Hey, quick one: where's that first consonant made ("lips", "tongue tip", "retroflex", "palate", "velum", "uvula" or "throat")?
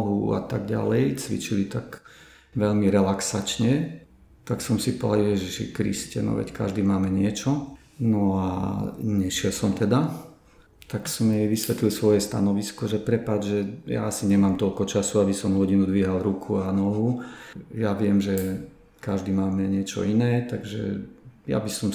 throat